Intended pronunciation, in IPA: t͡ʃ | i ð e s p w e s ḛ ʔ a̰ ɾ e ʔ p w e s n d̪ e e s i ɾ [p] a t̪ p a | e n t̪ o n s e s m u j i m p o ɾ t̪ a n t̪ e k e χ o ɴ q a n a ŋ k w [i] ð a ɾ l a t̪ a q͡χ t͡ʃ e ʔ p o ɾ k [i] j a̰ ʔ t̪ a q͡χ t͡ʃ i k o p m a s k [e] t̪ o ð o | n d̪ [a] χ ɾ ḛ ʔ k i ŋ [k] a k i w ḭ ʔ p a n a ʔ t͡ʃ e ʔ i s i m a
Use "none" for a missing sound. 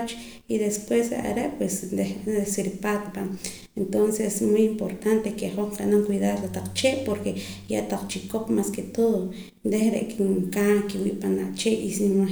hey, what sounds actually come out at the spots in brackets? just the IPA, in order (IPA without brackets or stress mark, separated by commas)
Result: p, i, e, e, e, k